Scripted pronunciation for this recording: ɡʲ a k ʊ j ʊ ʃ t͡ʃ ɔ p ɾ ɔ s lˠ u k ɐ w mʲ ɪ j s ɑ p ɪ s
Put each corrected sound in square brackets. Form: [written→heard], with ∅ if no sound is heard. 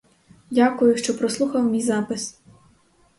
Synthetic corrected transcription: [ɡʲ→dʲ] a k ʊ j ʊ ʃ t͡ʃ ɔ p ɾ ɔ s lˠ u [k→x] ɐ w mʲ [ɪ→i] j [s→z] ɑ p ɪ s